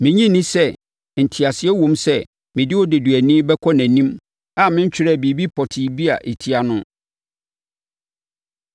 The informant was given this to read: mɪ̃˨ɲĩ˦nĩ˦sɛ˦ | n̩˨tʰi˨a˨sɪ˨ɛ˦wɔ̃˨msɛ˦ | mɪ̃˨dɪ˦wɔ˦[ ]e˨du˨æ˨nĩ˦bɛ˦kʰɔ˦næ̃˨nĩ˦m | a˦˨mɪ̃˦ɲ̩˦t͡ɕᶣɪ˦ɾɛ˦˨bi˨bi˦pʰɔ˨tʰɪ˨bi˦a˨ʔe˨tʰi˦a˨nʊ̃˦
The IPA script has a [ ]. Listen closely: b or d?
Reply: d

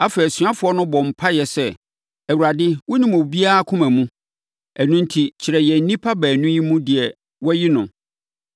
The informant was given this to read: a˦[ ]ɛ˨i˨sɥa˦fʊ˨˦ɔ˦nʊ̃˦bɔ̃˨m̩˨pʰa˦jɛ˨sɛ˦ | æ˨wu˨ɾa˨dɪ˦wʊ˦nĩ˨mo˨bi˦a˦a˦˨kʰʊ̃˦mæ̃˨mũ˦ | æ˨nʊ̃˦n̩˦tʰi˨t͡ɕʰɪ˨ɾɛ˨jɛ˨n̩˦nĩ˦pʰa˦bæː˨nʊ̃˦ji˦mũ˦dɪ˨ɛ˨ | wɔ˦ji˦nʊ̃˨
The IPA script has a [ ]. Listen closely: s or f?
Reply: f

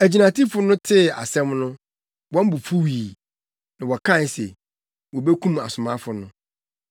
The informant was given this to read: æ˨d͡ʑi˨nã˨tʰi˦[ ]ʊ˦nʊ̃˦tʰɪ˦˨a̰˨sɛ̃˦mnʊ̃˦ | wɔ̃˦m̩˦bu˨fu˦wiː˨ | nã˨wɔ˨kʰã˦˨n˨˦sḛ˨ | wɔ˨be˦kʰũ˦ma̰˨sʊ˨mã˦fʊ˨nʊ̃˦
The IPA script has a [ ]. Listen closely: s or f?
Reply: f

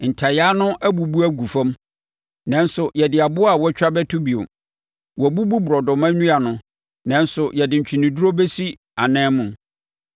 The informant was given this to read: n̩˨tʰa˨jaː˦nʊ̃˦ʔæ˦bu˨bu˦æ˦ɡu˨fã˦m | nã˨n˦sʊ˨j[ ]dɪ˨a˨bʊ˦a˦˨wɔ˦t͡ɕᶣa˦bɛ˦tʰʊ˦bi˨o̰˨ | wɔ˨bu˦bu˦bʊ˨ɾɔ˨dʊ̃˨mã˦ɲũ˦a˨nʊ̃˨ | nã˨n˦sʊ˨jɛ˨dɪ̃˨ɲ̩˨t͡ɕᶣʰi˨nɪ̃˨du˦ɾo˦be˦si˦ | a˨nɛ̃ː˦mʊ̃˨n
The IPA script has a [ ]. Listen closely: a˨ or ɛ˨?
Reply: ɛ˨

